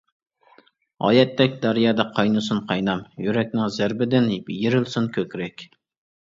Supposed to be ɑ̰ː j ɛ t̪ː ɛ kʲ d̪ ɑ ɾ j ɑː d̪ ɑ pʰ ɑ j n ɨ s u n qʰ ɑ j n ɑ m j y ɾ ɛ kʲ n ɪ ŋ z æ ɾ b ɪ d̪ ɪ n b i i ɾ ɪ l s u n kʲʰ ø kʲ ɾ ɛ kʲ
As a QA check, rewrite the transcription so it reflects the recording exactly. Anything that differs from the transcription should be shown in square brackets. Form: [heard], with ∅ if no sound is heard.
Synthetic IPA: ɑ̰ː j ɛ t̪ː ɛ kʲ d̪ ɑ ɾ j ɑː d̪ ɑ [qʰ] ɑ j n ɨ s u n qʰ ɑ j n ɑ m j y ɾ ɛ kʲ n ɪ ŋ z æ ɾ b ɪ d̪ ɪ n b [j] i ɾ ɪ l s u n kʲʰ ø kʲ ɾ ɛ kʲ